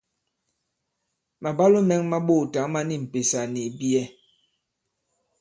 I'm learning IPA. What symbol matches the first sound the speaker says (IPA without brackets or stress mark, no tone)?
m